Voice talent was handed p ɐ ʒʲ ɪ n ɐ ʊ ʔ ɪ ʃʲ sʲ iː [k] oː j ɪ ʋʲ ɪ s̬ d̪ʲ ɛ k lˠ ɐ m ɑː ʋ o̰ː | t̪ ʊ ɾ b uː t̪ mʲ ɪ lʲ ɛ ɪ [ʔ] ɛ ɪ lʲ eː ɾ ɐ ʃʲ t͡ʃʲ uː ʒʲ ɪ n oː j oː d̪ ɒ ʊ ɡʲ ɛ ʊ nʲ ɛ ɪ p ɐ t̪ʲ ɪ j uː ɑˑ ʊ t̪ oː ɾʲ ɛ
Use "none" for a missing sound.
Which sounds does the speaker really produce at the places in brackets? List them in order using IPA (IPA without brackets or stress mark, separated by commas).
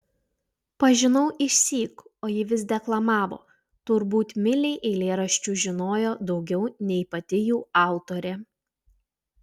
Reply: k, ʔ